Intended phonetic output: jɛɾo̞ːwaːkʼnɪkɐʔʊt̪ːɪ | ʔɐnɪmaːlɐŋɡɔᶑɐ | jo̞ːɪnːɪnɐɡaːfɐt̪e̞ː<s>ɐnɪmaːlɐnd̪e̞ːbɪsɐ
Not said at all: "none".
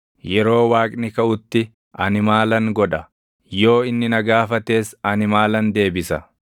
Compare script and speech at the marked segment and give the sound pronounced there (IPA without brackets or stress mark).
s